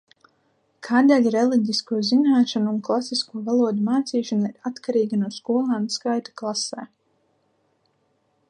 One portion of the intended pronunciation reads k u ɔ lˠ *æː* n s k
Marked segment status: incorrect: aː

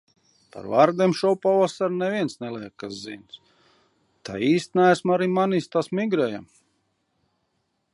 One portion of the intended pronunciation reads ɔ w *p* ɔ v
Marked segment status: correct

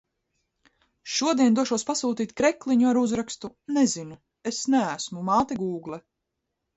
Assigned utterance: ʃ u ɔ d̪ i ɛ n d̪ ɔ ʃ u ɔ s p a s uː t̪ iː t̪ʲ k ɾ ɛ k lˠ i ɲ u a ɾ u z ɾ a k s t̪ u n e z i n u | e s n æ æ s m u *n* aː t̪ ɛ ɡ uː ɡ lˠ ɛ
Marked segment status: incorrect: m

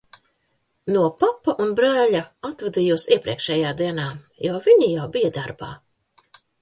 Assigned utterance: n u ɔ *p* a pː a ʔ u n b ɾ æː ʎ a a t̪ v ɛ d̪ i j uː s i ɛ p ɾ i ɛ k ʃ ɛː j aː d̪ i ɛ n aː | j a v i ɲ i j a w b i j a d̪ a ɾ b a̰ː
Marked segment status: correct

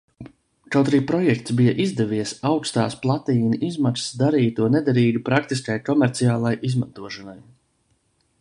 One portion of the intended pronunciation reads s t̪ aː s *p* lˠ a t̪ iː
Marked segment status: correct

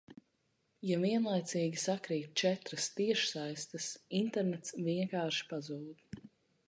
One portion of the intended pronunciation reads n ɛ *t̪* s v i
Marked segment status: correct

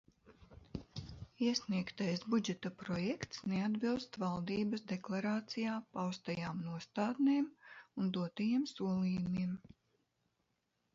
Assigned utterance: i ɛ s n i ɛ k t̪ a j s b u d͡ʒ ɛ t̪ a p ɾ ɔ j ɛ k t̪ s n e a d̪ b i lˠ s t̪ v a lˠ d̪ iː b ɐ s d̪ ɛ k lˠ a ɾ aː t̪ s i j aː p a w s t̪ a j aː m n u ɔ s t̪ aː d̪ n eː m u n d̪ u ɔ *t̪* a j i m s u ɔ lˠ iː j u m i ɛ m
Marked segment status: correct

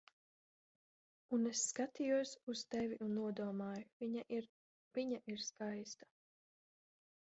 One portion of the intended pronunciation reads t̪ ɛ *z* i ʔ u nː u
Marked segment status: incorrect: v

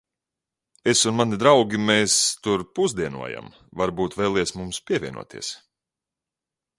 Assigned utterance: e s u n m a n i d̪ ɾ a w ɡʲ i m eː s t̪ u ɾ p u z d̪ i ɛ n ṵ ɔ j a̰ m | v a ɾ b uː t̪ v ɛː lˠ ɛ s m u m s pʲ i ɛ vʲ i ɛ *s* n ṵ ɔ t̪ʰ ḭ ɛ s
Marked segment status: incorrect: none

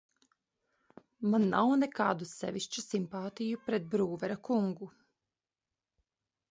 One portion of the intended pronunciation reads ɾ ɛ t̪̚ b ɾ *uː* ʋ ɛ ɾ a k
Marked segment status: correct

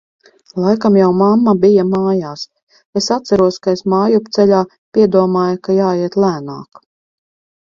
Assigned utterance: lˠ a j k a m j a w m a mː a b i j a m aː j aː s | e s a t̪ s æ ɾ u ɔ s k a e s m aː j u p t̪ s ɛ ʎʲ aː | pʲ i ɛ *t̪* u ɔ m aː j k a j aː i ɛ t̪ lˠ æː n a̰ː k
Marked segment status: incorrect: d̪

